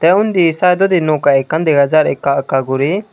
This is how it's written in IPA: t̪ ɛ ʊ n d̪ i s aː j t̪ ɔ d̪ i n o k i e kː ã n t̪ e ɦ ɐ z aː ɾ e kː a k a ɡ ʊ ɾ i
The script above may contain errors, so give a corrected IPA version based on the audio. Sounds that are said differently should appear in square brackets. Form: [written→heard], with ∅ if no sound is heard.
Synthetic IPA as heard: t̪ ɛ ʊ n d̪ i s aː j [t̪→d̪] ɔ d̪ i n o k [i→a] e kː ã n [t̪→d̪] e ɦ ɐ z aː ɾ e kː a k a ɡ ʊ ɾ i